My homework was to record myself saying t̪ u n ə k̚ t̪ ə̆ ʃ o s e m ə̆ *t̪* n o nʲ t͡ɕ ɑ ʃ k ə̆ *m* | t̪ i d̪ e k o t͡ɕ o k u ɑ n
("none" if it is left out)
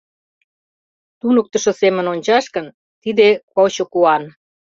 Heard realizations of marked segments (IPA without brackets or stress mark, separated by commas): none, n